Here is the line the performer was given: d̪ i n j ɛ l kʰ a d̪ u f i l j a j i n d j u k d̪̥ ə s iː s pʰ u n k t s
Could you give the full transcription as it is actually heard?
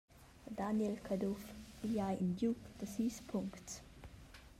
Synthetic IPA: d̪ a n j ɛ l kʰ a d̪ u f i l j a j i n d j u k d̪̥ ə s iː s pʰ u ŋ k t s